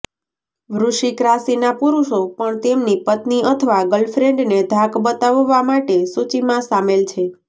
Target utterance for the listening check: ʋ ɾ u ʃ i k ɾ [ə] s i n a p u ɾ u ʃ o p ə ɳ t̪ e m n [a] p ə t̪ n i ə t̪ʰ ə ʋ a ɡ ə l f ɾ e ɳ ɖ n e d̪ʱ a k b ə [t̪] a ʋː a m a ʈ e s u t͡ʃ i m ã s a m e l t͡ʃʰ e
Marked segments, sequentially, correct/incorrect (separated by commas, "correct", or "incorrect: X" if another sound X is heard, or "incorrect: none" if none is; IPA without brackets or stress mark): incorrect: a, incorrect: i, correct